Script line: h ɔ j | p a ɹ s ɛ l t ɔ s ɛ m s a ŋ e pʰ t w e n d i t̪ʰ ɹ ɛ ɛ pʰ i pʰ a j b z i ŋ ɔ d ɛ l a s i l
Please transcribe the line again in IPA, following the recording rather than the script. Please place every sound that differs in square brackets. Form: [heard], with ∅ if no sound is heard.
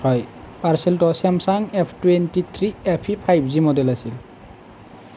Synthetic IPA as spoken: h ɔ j | p a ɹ s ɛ l t ɔ s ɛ m s a ŋ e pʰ t w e n [t] i t̪ʰ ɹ [i] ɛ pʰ i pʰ a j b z i [m] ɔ d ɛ l a s i l